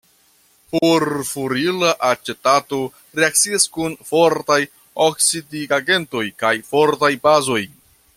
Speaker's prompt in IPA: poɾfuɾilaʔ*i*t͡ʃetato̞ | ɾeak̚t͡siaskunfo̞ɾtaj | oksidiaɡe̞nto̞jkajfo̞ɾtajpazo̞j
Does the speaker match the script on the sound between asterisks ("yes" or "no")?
no